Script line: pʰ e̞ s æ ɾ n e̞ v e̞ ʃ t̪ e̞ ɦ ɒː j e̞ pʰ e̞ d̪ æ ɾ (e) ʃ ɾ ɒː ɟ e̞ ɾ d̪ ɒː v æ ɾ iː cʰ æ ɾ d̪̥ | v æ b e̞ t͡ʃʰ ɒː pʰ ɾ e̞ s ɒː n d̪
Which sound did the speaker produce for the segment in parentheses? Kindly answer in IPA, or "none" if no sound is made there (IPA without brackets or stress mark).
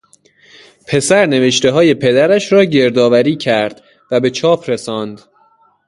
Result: æ